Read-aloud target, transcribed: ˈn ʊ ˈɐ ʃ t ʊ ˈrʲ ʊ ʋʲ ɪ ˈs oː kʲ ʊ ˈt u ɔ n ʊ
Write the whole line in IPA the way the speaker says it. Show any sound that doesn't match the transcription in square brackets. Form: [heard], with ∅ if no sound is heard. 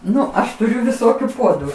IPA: ˈn ʊ ˈɐ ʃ t ʊ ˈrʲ ʊ ʋʲ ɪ ˈs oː kʲ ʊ [ˈp] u ɔ [d] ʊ